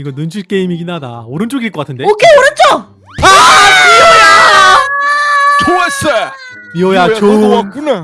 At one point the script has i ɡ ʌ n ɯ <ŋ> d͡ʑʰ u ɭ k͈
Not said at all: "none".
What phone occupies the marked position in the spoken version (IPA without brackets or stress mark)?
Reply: n